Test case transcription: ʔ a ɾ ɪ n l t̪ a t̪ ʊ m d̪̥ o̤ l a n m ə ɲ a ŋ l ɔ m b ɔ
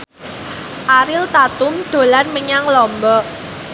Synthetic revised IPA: ʔ a ɾ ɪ l t̪ a t̪ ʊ m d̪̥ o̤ l a n m ə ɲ a ŋ l ɔ m b ɔ